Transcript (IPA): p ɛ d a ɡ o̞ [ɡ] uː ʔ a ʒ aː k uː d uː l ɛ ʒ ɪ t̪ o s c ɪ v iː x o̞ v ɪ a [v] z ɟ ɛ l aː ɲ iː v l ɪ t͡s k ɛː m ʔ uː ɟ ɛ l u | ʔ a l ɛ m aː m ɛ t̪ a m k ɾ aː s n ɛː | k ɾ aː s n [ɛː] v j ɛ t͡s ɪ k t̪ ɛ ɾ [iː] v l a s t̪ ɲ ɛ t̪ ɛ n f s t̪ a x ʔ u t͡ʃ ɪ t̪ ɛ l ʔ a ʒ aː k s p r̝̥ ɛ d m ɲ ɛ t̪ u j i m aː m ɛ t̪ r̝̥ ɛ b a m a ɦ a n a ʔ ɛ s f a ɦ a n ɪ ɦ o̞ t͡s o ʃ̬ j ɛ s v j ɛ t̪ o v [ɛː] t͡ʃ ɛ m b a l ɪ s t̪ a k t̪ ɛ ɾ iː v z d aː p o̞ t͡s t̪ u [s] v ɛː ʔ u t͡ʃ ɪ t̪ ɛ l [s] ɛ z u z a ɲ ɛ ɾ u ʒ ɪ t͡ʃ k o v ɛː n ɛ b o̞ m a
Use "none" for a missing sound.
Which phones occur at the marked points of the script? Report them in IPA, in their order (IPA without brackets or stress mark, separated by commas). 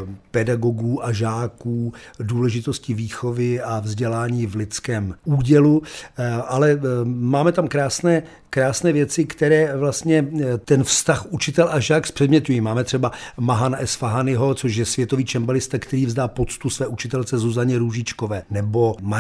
ɡ, v, ɛː, ɛː, iː, s, t͡s